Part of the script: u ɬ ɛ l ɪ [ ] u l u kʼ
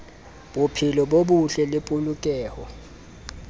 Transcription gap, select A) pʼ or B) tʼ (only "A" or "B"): A